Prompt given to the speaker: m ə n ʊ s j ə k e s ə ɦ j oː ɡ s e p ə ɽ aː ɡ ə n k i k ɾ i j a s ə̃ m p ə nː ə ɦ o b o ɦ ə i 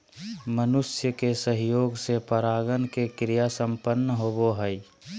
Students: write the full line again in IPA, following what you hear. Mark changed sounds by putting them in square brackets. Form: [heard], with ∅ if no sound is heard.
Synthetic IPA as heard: m ə n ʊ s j ə k e s ə ɦ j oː ɡ s e p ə [ɾ] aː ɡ ə n k [e] k ɾ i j a s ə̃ m p ə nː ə ɦ o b o ɦ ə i